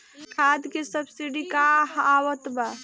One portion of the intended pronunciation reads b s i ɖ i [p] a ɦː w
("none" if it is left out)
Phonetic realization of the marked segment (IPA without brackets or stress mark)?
k